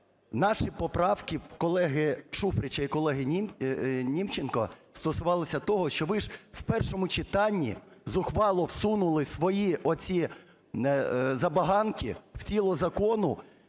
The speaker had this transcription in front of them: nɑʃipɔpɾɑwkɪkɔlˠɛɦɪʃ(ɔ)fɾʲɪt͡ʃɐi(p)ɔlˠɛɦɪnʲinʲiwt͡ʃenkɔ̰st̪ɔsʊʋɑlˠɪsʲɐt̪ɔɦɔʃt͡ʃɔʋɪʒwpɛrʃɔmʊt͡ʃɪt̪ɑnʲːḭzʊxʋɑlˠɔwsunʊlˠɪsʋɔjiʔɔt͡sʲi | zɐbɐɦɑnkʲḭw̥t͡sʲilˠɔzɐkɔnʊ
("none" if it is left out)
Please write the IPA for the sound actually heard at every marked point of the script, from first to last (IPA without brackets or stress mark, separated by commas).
u, k